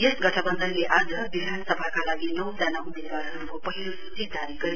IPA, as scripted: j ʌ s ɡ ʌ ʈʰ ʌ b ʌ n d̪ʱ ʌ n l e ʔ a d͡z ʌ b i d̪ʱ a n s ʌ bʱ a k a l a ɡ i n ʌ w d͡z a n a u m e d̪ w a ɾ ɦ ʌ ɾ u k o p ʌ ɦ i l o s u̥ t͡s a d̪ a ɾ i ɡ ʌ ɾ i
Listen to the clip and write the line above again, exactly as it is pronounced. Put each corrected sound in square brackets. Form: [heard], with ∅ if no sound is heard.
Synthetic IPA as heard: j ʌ s ɡ ʌ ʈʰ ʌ b ʌ n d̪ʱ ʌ n l e ʔ a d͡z ʌ b i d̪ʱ a n s ʌ bʱ a k a l a ɡ i n ʌ w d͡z a n a u m e d̪ w a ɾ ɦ ʌ ɾ u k o p ʌ ɦ i l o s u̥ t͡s [i] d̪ a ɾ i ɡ ʌ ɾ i